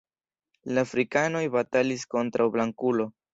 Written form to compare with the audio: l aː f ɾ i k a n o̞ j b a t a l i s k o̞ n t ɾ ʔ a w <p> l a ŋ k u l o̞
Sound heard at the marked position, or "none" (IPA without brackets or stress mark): b